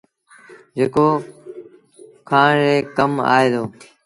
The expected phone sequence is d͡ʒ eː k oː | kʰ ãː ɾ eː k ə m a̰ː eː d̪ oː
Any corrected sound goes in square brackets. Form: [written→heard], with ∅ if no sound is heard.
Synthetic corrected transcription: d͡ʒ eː k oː | kʰ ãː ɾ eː k ə m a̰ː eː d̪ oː